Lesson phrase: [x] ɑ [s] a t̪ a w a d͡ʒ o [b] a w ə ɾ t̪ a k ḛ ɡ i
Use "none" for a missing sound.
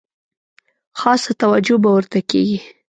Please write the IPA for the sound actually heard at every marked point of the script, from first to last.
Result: x, s, b

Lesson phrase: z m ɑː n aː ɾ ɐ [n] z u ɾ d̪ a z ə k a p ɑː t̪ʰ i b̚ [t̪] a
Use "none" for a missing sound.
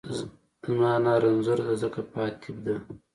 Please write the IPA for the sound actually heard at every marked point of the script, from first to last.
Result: n, d̪

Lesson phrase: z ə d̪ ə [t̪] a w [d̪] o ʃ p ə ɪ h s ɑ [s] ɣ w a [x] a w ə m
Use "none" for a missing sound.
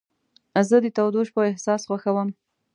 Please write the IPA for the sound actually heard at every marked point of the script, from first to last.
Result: t̪, d̪, s, x

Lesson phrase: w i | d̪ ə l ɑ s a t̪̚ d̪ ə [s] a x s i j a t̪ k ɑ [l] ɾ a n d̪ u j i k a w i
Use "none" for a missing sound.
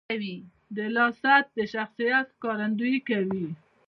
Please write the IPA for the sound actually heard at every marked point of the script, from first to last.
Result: ʃ, none

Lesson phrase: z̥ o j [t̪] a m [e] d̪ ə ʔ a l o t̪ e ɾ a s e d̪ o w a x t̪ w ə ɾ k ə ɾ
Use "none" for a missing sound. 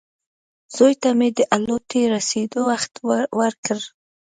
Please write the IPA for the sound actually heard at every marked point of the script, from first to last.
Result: t̪, e

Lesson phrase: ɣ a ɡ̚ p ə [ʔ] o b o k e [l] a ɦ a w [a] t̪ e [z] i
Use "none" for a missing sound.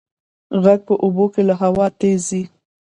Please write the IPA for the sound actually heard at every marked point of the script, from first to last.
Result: ʔ, l, ɑ, z

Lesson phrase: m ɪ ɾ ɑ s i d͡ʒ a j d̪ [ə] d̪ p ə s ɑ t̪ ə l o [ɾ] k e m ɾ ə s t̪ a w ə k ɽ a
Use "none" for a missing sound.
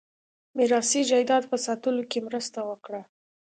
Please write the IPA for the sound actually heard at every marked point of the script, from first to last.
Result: ɑ, none

